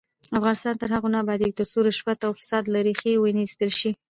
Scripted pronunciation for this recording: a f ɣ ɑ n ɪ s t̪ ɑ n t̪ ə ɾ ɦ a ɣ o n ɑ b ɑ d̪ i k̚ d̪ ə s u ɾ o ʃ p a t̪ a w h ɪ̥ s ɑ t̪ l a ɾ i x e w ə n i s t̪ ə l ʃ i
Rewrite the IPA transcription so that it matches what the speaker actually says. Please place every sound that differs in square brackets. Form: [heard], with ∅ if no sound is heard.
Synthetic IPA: a f ɣ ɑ n ɪ s t̪ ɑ n t̪ ə ɾ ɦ a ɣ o n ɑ b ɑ d̪ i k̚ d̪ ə s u ɾ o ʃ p a t̪ a w [f] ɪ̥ s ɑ [d̪] l a ɾ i x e w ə n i s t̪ ə l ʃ i